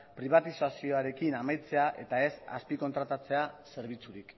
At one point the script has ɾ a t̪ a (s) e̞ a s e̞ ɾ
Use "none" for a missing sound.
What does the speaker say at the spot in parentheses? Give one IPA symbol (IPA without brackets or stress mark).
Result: t͡s